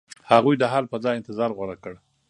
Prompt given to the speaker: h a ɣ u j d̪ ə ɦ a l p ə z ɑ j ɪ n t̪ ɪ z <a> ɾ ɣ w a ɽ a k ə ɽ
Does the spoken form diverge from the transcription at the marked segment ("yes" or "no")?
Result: yes